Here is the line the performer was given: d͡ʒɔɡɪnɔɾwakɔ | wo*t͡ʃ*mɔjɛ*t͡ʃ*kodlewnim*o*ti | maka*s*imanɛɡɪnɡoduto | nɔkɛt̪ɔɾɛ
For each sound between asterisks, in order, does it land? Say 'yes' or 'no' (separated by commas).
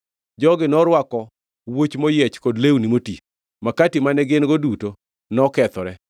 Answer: yes, yes, yes, no